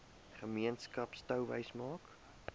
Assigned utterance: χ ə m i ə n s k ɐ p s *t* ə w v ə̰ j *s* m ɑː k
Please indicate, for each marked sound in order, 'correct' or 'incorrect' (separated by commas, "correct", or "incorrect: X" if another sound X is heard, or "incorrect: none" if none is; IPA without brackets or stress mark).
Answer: correct, correct